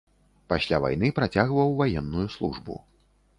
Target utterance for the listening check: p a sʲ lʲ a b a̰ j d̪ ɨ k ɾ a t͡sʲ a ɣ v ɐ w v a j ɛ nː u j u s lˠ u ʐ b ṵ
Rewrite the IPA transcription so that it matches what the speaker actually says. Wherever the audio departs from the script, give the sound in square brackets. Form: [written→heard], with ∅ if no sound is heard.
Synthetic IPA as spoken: p a sʲ lʲ a [b→v] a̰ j [d̪→n̪] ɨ [k→p] ɾ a t͡sʲ a ɣ v ɐ w v a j ɛ nː u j u s lˠ u ʐ b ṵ

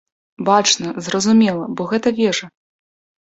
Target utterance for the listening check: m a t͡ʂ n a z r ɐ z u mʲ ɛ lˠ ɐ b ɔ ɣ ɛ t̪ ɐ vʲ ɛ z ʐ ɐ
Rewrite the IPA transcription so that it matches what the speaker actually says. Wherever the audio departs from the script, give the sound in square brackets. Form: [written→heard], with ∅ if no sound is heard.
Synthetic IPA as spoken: [m→b] a t͡ʂ n [a→ɐ] z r ɐ z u mʲ ɛ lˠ ɐ b ɔ ɣ ɛ t̪ ɐ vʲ ɛ [z→∅] ʐ ɐ

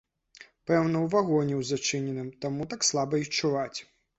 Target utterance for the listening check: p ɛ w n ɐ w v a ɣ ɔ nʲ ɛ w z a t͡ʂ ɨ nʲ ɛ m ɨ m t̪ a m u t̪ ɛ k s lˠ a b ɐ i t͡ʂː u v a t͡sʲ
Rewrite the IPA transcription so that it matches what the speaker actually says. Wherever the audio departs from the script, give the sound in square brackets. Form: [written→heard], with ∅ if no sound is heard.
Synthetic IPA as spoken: p ɛ w n ɐ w v a ɣ ɔ nʲ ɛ w z a t͡ʂ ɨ nʲ ɛ [m→n] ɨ m t̪ a m u t̪ [ɛ→a] k s lˠ a b ɐ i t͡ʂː u v a t͡sʲ

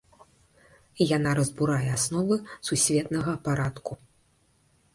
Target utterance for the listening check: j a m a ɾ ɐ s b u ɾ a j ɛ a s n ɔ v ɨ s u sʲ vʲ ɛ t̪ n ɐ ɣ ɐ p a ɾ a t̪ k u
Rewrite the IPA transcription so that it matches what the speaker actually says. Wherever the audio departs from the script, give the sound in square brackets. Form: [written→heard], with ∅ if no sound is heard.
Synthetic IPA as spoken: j a [m→n] a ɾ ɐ [s→z] b u ɾ a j ɛ a s n ɔ v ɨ s u sʲ vʲ ɛ t̪ n ɐ ɣ ɐ p a ɾ a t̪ k u

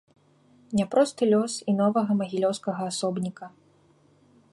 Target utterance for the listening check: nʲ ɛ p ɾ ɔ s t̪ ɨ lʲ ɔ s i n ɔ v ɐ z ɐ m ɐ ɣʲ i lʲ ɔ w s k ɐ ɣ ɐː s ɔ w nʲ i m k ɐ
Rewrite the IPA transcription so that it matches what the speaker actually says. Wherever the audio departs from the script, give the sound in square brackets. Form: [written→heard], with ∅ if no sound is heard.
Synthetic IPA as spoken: nʲ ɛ p ɾ ɔ s t̪ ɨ lʲ ɔ s i n ɔ v ɐ [z→ɣ] ɐ m ɐ ɣʲ i lʲ ɔ w s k ɐ ɣ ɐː s ɔ [w→b] nʲ i [m→∅] k ɐ

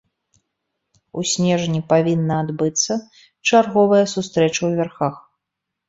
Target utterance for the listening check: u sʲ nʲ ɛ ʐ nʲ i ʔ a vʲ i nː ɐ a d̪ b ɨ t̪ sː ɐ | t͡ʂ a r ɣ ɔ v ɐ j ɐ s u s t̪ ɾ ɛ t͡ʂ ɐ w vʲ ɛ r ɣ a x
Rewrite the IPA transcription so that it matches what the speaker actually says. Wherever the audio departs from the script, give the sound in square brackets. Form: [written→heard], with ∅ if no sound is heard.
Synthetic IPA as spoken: u sʲ nʲ ɛ ʐ nʲ i [ʔ→p] a vʲ i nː ɐ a d̪ b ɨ t̪ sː ɐ | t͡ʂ a r ɣ ɔ v ɐ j ɐ s u s t̪ ɾ ɛ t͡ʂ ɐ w vʲ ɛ r [ɣ→x] a x

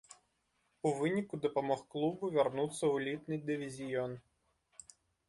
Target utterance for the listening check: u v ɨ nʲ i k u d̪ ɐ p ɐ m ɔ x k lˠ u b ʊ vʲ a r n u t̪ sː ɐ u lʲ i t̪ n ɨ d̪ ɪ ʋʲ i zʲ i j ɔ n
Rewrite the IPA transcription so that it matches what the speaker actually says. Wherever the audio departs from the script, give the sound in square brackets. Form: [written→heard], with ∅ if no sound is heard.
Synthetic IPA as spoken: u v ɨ nʲ i k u d̪ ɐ p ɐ m ɔ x k lˠ u b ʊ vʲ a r n u t̪ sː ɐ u lʲ i t̪ n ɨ d̪ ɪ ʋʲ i zʲ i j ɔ n

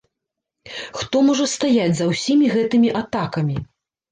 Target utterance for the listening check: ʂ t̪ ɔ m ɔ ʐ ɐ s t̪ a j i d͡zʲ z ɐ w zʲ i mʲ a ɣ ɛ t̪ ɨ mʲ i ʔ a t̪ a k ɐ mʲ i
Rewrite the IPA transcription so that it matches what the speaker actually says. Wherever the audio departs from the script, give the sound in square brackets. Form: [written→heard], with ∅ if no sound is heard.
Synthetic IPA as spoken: [ʂ→x] t̪ ɔ m ɔ ʐ ɐ s t̪ a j [i→a] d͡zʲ z ɐ w [zʲ→sʲ] i mʲ [a→i] ɣ ɛ t̪ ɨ mʲ i ʔ a t̪ a k ɐ mʲ i

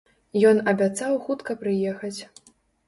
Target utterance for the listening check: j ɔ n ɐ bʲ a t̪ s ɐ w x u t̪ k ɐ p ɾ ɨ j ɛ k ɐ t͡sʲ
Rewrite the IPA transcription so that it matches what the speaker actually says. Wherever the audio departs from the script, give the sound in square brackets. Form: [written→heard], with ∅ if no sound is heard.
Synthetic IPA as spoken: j ɔ n ɐ bʲ a t̪ s [ɐ→a] w x u t̪ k ɐ p ɾ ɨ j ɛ [k→x] ɐ t͡sʲ

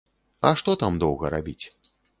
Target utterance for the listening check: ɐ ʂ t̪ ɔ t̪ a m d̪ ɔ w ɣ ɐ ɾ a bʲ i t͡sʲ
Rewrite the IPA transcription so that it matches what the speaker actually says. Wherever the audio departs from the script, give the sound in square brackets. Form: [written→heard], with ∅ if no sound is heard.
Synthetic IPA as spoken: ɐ ʂ t̪ ɔ t̪ a m d̪ ɔ w ɣ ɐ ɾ a bʲ i t͡sʲ

